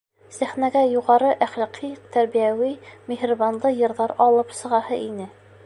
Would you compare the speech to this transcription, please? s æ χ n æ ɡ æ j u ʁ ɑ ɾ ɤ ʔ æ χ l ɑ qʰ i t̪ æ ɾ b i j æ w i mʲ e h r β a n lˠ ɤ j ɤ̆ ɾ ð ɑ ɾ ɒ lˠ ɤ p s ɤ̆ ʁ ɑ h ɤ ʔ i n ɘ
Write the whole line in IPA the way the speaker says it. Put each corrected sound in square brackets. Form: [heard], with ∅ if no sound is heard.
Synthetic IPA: s æ χ n æ ɡ æ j u ʁ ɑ ɾ ɤ ʔ æ χ l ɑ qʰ i t̪ æ ɾ b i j æ w i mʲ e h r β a n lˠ ɤ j ɤ̆ ɾ ð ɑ ɾ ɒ lˠ ɤ p s ɤ̆ ʁ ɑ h ɤ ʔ i n ɘ